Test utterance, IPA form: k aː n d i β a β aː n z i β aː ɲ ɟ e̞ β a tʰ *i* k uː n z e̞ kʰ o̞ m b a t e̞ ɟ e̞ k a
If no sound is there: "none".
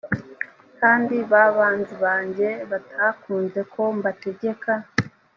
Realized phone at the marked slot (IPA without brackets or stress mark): a